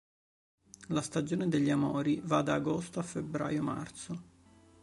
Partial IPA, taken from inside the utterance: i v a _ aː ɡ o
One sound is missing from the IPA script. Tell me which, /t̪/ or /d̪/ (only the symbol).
d̪